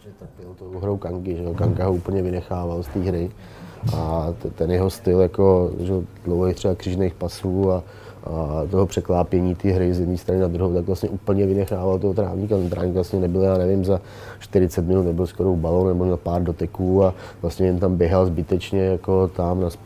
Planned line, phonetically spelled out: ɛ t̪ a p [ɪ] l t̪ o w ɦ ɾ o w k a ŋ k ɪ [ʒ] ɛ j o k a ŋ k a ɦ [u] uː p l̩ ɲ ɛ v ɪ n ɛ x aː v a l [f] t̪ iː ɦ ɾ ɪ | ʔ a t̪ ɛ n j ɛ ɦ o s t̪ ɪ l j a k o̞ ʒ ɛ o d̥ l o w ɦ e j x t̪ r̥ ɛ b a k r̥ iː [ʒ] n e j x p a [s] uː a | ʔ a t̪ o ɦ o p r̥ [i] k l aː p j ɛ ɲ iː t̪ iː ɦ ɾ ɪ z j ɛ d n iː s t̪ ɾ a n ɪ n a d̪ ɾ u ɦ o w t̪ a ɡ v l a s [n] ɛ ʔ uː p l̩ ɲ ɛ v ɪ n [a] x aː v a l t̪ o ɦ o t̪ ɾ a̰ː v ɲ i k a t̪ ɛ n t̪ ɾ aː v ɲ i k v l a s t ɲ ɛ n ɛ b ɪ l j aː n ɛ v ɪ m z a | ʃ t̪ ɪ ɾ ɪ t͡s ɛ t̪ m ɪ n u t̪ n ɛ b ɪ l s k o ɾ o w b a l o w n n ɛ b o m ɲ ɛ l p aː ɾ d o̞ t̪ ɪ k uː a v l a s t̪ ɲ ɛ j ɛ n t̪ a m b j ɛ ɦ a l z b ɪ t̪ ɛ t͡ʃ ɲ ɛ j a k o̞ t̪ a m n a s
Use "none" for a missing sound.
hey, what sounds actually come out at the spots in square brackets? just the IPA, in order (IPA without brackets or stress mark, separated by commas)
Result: ɪ, ʒ, o, s, ʒ, s, ɛ, ɲ, ɛ